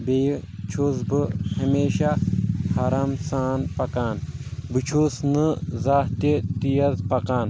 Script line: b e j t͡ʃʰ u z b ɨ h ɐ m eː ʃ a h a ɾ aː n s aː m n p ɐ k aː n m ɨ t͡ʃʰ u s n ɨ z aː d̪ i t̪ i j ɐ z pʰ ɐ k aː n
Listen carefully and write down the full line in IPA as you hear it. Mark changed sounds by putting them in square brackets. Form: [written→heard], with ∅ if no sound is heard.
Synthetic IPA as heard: b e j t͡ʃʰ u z b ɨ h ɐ m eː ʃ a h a ɾ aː [n→m] s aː [m→∅] n p ɐ k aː n [m→b] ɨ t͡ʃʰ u s n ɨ z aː [d̪→t̪] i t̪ i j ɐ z [pʰ→p] ɐ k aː n